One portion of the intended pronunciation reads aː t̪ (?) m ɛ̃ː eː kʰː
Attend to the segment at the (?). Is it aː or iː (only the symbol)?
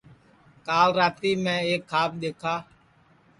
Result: iː